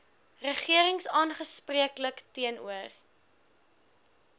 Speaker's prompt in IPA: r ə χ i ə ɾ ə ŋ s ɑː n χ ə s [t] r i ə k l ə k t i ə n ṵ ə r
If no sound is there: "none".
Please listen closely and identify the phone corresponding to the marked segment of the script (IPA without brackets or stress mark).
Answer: p